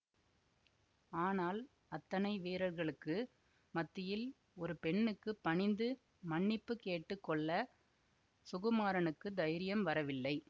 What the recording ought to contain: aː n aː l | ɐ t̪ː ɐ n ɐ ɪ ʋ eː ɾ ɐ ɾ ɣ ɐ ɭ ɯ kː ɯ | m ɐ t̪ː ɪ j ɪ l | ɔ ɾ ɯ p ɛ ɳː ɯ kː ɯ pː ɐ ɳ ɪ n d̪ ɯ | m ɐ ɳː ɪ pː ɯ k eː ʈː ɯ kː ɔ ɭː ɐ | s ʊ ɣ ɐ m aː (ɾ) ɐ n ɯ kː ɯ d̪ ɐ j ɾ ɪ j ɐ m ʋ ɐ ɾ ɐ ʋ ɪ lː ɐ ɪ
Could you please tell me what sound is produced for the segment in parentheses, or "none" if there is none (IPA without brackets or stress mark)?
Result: ɾ